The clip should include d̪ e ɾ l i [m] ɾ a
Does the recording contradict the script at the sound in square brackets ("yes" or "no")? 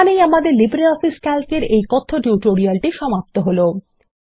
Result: yes